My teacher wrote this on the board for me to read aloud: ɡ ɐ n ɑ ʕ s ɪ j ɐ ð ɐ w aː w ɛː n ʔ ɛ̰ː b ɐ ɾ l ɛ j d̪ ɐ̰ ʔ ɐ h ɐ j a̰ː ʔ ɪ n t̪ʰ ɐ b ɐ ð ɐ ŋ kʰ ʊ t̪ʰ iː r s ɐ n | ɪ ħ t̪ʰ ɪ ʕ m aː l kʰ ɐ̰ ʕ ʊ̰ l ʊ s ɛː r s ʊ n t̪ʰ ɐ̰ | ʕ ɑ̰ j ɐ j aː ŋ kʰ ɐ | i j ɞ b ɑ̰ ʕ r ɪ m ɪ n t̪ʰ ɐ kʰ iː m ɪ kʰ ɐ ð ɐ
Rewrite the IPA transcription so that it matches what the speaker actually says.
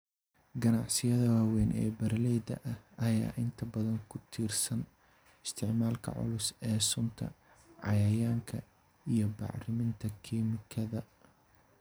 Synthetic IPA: ɡ ɐ n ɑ ʕ s ɪ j ɐ ð ɐ w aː w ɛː n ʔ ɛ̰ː b ɐ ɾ l ɛ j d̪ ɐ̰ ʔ ɐ h ɐ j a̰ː ʔ ɪ n t̪ʰ ɐ b ɐ ð ɐ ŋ kʰ ʊ t̪ʰ iː r s ɐ n | ɪ s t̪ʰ ɪ ʕ m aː l kʰ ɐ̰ ʕ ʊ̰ l ʊ s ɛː s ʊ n t̪ʰ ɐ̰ | ʕ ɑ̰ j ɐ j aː ŋ kʰ ɐ | i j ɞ b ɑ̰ ʕ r ɪ m ɪ n t̪ʰ ɐ kʰ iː m ɪ kʰ ɐ ð ɐ